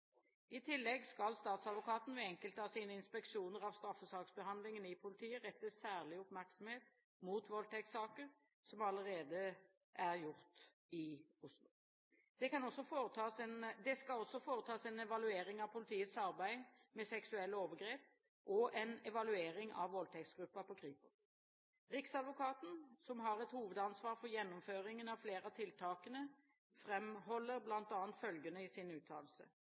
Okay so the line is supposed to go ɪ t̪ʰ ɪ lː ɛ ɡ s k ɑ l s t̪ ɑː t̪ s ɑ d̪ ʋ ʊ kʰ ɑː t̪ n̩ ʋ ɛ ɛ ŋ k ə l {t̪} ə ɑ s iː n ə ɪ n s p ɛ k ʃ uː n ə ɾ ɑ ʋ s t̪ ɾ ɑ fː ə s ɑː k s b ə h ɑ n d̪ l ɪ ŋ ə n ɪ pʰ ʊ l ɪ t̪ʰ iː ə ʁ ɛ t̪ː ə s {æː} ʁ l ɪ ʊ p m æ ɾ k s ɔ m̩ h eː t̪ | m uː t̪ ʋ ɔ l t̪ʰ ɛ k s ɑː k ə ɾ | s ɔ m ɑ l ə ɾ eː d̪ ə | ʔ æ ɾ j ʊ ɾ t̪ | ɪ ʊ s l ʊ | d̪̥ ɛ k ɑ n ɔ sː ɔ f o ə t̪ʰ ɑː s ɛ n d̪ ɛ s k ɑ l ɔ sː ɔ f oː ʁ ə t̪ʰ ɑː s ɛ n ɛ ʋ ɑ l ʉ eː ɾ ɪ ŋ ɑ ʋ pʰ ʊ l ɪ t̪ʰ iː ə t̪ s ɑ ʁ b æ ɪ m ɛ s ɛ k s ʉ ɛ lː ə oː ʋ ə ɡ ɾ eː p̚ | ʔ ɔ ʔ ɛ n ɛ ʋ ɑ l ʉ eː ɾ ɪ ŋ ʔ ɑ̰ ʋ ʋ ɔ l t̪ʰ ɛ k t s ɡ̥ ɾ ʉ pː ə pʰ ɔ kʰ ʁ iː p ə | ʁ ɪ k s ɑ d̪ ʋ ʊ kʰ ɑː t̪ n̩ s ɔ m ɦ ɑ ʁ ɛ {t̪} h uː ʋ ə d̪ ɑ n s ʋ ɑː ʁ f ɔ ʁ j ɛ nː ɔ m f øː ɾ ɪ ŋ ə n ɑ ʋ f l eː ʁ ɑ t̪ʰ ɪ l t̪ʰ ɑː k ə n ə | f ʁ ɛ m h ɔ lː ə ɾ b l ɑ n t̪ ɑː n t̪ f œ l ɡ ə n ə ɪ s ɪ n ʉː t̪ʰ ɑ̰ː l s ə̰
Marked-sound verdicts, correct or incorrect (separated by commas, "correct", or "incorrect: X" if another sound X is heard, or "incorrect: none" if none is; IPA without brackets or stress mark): correct, correct, correct